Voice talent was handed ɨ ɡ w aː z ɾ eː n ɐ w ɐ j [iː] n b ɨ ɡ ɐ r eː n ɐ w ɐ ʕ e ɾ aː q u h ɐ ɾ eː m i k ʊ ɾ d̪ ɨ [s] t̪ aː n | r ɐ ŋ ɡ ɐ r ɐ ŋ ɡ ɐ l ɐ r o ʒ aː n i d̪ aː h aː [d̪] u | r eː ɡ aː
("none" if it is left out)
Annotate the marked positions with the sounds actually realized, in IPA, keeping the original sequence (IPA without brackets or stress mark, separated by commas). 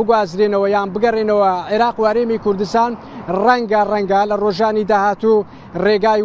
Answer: aː, s, t̪